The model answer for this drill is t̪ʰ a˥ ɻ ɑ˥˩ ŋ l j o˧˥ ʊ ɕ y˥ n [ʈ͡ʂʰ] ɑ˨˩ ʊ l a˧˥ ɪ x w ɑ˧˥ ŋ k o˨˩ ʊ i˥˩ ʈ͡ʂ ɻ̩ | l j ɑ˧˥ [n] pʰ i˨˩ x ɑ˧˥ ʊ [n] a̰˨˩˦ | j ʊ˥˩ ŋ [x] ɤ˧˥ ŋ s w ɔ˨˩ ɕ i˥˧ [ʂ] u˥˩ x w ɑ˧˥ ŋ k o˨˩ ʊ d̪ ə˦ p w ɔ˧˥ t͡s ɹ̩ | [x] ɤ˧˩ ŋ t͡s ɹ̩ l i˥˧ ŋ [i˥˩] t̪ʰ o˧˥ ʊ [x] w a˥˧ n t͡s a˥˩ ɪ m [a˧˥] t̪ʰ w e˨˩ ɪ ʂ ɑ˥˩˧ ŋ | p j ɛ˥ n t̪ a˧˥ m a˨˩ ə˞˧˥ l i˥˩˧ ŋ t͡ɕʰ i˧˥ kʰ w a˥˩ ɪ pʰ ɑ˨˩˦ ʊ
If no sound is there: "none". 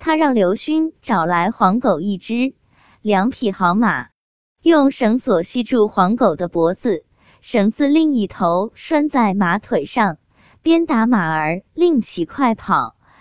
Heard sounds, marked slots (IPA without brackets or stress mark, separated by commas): ʈ͡ʂ, ŋ, m, ʂ, ʈ͡ʂ, ʂ, i˥˩, ʂ, a˧˥